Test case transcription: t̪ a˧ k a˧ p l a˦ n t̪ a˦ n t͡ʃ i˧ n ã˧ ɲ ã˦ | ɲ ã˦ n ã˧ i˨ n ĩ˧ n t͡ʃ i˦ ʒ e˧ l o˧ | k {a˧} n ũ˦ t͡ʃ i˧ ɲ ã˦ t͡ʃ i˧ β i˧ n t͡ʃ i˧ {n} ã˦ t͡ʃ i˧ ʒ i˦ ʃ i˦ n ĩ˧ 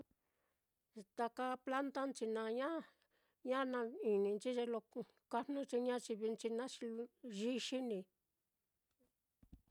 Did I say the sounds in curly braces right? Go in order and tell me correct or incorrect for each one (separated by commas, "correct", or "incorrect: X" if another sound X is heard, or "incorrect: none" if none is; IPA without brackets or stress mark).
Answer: correct, correct